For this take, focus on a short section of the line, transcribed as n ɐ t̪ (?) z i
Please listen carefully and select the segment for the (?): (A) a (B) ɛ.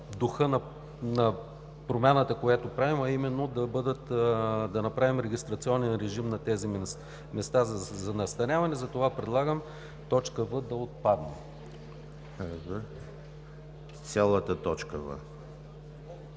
B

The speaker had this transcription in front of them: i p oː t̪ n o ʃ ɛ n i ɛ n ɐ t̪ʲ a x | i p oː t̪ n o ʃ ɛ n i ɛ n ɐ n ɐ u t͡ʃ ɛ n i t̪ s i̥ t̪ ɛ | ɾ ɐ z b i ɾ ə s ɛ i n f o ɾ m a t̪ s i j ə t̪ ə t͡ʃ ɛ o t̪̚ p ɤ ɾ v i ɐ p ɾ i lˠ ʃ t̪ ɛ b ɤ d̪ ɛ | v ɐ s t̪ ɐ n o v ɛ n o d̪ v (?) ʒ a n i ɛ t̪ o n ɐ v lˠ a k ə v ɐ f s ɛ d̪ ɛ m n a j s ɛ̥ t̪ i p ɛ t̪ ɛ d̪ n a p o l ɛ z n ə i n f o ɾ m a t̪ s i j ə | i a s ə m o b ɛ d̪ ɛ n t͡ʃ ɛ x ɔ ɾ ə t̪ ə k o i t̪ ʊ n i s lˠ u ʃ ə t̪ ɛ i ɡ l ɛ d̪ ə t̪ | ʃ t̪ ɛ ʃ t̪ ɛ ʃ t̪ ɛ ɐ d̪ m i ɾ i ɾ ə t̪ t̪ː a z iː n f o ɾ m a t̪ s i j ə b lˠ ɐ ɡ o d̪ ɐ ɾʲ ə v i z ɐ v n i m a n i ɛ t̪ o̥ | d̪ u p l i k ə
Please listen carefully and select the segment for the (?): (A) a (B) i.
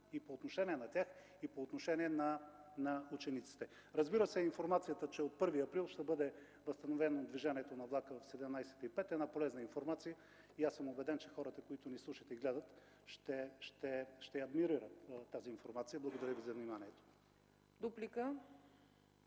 B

